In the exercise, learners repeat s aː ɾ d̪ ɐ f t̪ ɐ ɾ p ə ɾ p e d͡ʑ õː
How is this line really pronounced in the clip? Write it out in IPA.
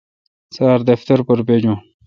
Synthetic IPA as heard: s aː ɾ d̪ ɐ f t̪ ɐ ɾ p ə ɾ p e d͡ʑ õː